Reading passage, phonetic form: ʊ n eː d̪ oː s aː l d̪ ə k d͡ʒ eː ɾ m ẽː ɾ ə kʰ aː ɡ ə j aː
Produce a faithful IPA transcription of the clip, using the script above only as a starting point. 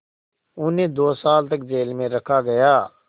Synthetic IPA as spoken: ʊ n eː d̪ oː s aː l t̪ ə k d͡ʒ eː l m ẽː ɾ ə kʰ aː ɡ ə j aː